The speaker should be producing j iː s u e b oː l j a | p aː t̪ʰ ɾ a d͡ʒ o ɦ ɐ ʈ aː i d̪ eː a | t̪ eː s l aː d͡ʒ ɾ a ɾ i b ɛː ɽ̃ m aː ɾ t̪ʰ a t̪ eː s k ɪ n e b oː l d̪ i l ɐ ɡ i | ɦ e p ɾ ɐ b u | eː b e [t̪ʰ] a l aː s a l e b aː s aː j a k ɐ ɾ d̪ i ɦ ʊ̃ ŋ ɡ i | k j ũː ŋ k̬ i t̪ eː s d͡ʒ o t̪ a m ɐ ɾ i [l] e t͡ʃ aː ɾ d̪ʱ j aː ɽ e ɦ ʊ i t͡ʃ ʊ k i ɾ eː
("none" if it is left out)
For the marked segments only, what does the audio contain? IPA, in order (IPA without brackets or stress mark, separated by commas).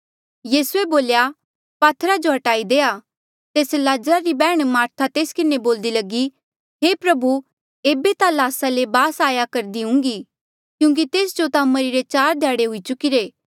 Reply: t̪, ɾ